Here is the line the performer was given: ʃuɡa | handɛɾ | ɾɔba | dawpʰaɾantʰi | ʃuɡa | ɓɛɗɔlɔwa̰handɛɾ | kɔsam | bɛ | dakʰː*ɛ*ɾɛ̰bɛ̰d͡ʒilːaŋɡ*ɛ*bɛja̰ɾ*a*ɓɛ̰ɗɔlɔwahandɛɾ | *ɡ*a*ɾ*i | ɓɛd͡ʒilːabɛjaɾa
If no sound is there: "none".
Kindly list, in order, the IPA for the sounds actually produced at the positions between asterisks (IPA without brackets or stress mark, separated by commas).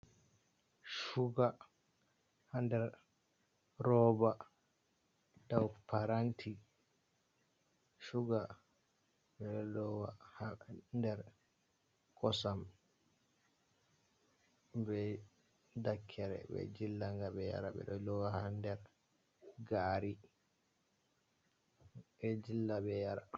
ɛ, a, a, ɡ, ɾ